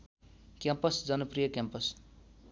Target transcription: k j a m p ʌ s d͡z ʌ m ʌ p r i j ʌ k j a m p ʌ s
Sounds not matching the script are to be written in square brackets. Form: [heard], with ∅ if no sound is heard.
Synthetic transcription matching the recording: k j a m p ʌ s d͡z ʌ [n] ʌ p r i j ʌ k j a m p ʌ s